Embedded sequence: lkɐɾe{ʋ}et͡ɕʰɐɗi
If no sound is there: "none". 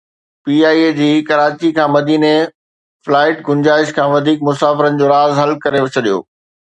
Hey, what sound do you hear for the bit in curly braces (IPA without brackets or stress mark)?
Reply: ʋ